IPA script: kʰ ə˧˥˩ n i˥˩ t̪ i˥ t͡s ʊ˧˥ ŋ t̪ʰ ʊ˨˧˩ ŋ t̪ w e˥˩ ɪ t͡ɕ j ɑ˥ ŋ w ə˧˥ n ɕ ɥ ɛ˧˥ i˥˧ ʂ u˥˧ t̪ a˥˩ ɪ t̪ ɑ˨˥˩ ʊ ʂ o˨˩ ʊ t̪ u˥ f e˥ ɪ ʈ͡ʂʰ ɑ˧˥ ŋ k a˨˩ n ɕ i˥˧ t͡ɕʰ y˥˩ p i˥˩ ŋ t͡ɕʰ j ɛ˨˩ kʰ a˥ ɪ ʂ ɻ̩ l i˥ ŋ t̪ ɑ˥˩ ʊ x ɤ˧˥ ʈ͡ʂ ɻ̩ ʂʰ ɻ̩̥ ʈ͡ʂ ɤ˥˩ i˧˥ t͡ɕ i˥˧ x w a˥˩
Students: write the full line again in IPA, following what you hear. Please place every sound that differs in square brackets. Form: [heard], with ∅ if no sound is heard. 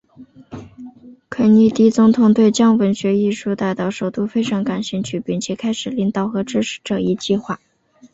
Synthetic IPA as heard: kʰ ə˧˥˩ n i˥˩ t̪ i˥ t͡s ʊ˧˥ ŋ t̪ʰ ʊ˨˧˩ ŋ t̪ w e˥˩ ɪ t͡ɕ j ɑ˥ ŋ w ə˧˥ n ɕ ɥ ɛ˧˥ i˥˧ ʂ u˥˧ t̪ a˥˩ ɪ t̪ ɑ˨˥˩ ʊ ʂ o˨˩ ʊ t̪ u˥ f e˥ ɪ ʈ͡ʂʰ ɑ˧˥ ŋ k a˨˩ n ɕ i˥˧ t͡ɕʰ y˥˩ p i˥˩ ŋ t͡ɕʰ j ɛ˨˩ kʰ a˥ ɪ ʂ ɻ̩ l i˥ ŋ t̪ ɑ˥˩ ʊ x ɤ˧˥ ʈ͡ʂ ɻ̩ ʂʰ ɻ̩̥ ʈ͡ʂ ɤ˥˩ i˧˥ t͡ɕ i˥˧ x w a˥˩

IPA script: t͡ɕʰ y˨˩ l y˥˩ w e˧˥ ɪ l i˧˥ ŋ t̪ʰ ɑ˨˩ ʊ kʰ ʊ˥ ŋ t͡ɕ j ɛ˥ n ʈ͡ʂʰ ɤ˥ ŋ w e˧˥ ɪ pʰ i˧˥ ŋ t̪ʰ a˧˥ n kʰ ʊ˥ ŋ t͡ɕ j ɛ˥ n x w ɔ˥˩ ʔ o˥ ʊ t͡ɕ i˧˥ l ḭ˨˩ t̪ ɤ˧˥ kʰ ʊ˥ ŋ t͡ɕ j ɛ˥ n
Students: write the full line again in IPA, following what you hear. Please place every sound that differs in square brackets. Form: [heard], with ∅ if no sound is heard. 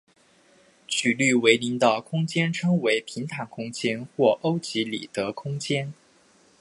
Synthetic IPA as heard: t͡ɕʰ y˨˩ l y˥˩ w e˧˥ ɪ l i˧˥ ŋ [t̪] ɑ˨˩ ʊ kʰ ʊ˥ ŋ t͡ɕ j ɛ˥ n ʈ͡ʂʰ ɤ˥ ŋ w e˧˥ ɪ pʰ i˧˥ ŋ t̪ʰ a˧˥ n kʰ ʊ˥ ŋ t͡ɕ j ɛ˥ n x w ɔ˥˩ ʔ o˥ ʊ t͡ɕ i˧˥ l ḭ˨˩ t̪ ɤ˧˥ kʰ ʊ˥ ŋ t͡ɕ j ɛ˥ n

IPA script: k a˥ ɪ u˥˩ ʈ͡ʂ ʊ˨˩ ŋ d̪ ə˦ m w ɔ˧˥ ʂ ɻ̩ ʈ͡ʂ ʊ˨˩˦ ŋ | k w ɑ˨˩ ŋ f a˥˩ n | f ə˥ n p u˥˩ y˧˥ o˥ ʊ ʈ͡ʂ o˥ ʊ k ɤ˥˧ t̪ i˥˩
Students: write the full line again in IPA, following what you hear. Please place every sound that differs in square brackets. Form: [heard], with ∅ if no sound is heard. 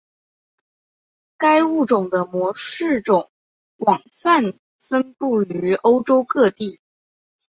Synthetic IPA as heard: k a˥ ɪ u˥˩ ʈ͡ʂ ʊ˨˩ ŋ d̪ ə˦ m w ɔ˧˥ ʂ ɻ̩ ʈ͡ʂ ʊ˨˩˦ ŋ | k w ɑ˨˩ ŋ f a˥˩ n | f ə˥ n p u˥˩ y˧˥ o˥ ʊ ʈ͡ʂ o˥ ʊ k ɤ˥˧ t̪ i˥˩

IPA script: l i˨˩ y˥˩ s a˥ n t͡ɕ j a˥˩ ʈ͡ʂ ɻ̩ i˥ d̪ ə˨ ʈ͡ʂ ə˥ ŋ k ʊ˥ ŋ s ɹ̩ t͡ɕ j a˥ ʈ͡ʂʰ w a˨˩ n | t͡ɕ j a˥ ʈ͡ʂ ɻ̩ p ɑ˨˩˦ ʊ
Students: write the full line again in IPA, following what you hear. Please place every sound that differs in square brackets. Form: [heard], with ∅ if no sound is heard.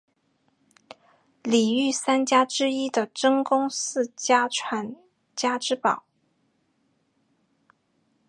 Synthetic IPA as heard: l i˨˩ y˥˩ s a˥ n t͡ɕ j [a˥] ʈ͡ʂ ɻ̩ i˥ d̪ ə˨ ʈ͡ʂ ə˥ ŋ k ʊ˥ ŋ s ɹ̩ t͡ɕ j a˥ ʈ͡ʂʰ w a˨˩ n | t͡ɕ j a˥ ʈ͡ʂ ɻ̩ p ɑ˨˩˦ ʊ

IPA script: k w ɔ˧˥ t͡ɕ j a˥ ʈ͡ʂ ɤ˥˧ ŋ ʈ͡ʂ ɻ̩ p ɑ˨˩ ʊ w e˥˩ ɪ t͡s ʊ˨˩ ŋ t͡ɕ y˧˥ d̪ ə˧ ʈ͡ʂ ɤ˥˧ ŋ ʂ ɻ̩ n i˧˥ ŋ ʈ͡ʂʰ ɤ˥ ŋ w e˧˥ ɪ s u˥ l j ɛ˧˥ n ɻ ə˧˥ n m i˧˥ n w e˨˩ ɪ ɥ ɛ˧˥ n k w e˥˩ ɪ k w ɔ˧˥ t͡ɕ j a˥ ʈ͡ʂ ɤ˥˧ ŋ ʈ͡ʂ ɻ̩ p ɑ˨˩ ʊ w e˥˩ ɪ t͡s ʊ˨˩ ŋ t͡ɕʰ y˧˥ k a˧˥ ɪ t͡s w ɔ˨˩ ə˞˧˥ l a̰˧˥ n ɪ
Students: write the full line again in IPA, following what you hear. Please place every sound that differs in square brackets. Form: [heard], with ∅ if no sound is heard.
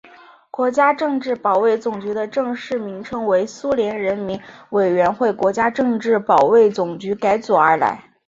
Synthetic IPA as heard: k w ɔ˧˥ t͡ɕ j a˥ ʈ͡ʂ ɤ˥˧ ŋ ʈ͡ʂ ɻ̩ p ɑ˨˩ ʊ w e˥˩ ɪ t͡s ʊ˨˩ ŋ t͡ɕ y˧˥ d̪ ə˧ ʈ͡ʂ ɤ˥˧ ŋ ʂ ɻ̩ [m] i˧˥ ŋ ʈ͡ʂʰ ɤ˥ ŋ w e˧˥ ɪ s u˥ l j ɛ˧˥ n ɻ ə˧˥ n m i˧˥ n w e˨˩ ɪ ɥ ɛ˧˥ n [x] w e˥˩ ɪ k w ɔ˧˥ t͡ɕ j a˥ ʈ͡ʂ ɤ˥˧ ŋ ʈ͡ʂ ɻ̩ p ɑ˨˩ ʊ w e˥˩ ɪ t͡s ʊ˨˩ ŋ [t͡ɕ] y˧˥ k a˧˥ ɪ t͡s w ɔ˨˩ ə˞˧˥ l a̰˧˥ [∅] ɪ

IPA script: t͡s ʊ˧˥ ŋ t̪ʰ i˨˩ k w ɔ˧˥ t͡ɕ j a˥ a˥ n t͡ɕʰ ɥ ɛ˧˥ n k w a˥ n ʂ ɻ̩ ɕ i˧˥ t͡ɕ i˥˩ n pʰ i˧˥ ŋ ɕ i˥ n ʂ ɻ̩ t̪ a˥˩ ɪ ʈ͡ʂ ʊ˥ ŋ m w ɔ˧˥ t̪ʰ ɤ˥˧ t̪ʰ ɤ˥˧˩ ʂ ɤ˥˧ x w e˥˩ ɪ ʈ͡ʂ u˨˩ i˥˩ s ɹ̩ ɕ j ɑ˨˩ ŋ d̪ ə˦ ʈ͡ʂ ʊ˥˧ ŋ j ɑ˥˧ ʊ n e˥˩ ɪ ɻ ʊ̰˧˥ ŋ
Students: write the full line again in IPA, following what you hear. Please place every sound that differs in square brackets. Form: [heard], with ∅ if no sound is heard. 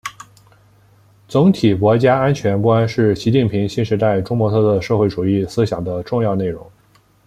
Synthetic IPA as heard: t͡s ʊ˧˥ ŋ t̪ʰ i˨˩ k w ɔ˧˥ t͡ɕ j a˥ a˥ n t͡ɕʰ ɥ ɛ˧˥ n k w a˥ n ʂ ɻ̩ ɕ i˧˥ t͡ɕ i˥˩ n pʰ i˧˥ ŋ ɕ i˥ n ʂ ɻ̩ t̪ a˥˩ ɪ ʈ͡ʂ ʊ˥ ŋ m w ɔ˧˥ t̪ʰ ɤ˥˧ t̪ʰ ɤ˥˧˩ ʂ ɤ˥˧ x w e˥˩ ɪ ʈ͡ʂ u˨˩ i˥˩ s ɹ̩ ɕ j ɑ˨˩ ŋ d̪ ə˦ ʈ͡ʂ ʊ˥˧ ŋ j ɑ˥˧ ʊ n e˥˩ ɪ ɻ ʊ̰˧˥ ŋ

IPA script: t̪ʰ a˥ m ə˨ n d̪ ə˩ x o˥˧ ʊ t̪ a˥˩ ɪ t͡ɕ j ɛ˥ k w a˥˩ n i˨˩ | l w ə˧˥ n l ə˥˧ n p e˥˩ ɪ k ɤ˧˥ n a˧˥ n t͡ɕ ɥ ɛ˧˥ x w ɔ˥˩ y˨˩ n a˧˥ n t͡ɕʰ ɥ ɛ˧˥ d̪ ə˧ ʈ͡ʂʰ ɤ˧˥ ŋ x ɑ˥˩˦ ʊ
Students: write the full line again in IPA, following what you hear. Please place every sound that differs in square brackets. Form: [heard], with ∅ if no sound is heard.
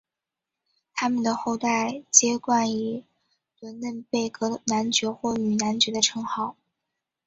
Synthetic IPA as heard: t̪ʰ a˥ m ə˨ n d̪ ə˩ x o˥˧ ʊ t̪ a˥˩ ɪ t͡ɕ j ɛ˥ k w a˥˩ n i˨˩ | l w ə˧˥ n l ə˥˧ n p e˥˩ ɪ k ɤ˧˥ n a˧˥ n t͡ɕ ɥ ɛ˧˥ x w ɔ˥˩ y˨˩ n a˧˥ n [t͡ɕ] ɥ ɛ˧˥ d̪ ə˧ ʈ͡ʂʰ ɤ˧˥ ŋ x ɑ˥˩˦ ʊ

